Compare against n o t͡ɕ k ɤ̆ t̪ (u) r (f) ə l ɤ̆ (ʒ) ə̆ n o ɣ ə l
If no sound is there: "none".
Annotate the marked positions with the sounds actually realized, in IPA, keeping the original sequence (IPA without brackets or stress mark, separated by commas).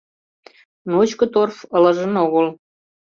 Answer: o, f, ʒ